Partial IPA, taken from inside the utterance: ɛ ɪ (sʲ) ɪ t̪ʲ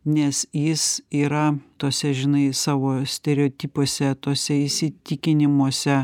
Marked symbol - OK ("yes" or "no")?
yes